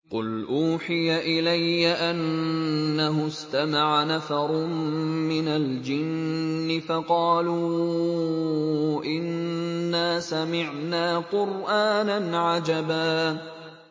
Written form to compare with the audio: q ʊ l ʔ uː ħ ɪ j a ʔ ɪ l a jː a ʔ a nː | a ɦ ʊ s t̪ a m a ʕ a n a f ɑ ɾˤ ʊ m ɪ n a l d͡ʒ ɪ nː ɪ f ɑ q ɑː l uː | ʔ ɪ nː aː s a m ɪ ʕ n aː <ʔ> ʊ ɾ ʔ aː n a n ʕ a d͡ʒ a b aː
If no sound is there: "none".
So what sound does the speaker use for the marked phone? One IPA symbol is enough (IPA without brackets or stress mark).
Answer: q